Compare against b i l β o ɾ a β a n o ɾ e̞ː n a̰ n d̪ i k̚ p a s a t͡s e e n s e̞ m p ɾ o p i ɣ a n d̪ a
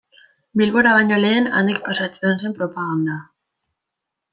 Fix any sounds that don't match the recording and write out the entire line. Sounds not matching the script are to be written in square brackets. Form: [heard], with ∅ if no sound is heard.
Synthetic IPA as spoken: b i l β o ɾ a β a [ɲ] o [l] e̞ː n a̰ n d̪ i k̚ p a s a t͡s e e n s e̞ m p ɾ o p [a] ɣ a n d̪ a

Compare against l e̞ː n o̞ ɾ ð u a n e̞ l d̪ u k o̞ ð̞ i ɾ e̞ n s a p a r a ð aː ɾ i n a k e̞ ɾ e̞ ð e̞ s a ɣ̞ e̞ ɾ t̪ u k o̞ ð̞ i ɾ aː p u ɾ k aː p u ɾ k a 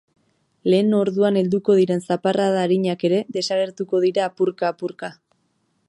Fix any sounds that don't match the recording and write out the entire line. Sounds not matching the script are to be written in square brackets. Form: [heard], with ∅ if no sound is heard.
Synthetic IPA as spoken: l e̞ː n o̞ ɾ ð u a n e̞ l d̪ u k o̞ ð̞ i ɾ e̞ n s a p a r a ð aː ɾ i [ɲ] a k e̞ ɾ e̞ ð e̞ s a ɣ̞ e̞ ɾ t̪ u k o̞ ð̞ i ɾ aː p u ɾ k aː p u ɾ k a

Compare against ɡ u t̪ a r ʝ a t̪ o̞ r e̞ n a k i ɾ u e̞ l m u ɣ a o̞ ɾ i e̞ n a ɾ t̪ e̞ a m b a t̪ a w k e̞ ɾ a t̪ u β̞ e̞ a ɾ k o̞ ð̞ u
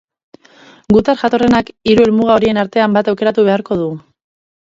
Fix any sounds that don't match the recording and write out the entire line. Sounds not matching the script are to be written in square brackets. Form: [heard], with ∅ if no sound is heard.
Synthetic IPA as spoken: ɡ u t̪ a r ʝ a t̪ o̞ r e̞ n a k i ɾ u e̞ l m u ɣ a o̞ ɾ i e̞ n a ɾ t̪ e̞ a m b a t̪ a w k e̞ ɾ a t̪ u β̞ e̞ a ɾ k o̞ ð̞ u

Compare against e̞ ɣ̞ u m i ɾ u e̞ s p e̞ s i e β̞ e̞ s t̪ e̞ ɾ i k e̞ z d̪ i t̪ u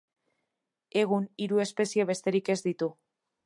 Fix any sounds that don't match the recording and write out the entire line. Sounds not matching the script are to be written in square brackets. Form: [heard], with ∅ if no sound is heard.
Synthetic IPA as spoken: e̞ ɣ̞ u [n] i ɾ u e̞ s p e̞ s i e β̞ e̞ s t̪ e̞ ɾ i k e̞ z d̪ i t̪ u

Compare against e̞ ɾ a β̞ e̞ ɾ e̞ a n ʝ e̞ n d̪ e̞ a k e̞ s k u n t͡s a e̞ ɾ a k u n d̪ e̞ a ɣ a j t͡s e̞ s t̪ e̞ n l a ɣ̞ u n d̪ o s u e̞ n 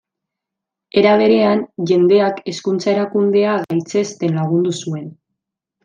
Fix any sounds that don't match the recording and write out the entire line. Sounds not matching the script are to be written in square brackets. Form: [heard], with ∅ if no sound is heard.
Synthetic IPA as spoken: e̞ ɾ a β̞ e̞ ɾ e̞ a n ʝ e̞ n d̪ e̞ a k e̞ s k u n t͡s a e̞ ɾ a k u n d̪ e̞ a ɣ a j t͡s e̞ s t̪ e̞ n l a ɣ̞ u n d̪ [u] s u e̞ n

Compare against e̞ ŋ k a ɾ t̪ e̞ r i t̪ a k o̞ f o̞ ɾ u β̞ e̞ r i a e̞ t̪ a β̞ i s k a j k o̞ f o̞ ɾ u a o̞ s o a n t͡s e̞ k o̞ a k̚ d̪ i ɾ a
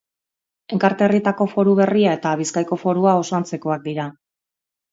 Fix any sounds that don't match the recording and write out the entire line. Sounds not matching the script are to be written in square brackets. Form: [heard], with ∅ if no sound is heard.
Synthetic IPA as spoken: e̞ ŋ k a ɾ t̪ e̞ r i t̪ a k o̞ f o̞ ɾ u β̞ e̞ r i a e̞ t̪ a β̞ i s k a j k o̞ f o̞ ɾ u a o̞ s o a n t͡s e̞ k o̞ a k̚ d̪ i ɾ a

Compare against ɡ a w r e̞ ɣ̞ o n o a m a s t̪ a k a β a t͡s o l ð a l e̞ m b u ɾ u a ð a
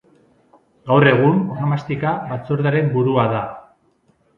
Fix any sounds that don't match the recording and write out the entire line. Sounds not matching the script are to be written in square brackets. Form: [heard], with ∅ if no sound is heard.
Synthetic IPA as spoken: ɡ a w r e̞ ɣ̞ [u] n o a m a s t̪ [i] k a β a t͡s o [ɾ] ð a [ɾ] e̞ m b u ɾ u a ð a

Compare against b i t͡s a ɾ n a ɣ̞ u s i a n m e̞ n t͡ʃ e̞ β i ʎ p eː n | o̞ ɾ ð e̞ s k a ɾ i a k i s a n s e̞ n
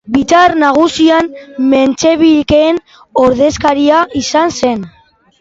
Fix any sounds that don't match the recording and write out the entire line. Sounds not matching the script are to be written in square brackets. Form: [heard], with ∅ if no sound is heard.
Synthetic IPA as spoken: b i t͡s a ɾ n a ɣ̞ u s i a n m e̞ n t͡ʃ e̞ β i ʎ [k] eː n | o̞ ɾ ð e̞ s k a ɾ i a [∅] i s a n s e̞ n

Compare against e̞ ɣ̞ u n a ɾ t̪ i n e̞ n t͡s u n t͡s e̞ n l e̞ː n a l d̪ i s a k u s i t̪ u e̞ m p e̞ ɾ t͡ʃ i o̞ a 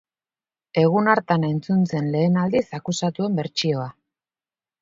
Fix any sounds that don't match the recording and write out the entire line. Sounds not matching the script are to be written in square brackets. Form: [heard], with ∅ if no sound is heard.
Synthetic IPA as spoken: e̞ ɣ̞ u n a ɾ t̪ [a] n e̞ n t͡s u n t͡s e̞ n l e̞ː n a l d̪ i s a k u s [a] t̪ u e̞ m [b] e̞ ɾ t͡ʃ i o̞ a

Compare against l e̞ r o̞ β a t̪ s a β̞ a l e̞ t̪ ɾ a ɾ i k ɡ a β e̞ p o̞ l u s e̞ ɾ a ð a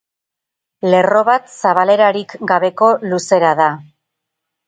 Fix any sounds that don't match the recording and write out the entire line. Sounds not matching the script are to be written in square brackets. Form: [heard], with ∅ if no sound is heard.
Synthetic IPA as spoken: l e̞ r o̞ β a t̪ s a β̞ a l e̞ [∅] ɾ a ɾ i k ɡ a β e̞ [k] o̞ l u s e̞ ɾ a ð a

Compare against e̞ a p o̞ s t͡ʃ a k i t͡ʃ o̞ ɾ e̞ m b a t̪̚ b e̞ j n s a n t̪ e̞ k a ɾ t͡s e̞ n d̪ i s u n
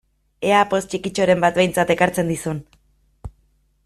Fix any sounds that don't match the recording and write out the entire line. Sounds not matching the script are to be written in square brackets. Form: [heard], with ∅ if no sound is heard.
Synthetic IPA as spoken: e̞ a p o̞ s t͡ʃ [i] k i t͡ʃ o̞ ɾ e̞ m b a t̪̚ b e̞ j n [t͡s] a [∅] t̪ e̞ k a ɾ t͡s e̞ n d̪ i s u n

